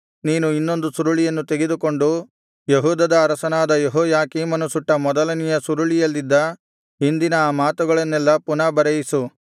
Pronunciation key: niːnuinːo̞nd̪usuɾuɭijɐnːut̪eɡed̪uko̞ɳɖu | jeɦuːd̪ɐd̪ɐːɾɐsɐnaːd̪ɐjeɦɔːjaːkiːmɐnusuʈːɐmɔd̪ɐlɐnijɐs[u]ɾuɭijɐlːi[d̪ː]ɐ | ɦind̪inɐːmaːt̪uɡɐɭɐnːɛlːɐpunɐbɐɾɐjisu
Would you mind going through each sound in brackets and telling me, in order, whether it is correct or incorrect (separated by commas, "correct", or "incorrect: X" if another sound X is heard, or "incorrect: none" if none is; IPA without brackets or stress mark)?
correct, correct